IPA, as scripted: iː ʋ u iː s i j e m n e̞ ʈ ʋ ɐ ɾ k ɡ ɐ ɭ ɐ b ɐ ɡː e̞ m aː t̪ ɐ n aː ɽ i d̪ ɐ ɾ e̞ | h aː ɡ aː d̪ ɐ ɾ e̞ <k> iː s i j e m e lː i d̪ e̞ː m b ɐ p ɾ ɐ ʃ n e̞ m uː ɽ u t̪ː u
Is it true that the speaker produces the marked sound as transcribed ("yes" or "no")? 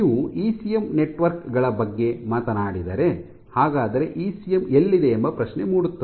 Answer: no